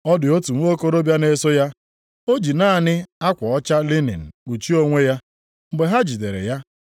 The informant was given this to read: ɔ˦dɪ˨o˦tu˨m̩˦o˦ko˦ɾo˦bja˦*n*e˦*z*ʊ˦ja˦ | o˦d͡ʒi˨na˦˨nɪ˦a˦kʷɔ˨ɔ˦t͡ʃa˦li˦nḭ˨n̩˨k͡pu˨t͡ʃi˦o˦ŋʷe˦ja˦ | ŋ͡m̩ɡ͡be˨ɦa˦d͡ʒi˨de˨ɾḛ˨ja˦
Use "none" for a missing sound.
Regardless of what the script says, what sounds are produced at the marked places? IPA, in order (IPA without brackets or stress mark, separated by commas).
n, s